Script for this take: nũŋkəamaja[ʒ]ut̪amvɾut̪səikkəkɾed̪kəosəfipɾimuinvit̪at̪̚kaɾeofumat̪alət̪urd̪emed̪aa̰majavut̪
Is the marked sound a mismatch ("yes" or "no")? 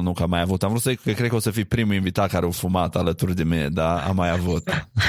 yes